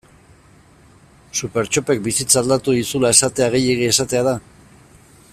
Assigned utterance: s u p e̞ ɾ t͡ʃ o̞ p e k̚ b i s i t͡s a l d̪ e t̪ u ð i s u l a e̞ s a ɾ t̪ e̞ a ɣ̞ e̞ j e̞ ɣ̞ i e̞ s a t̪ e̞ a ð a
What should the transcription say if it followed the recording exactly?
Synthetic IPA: s u p e̞ ɾ t͡ʃ o̞ p e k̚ b i s i t͡s a l d̪ a t̪ u ð i s u l a e̞ s a t̪ e̞ a ɣ̞ e̞ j e̞ ɣ̞ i e̞ s a t̪ e̞ a ð a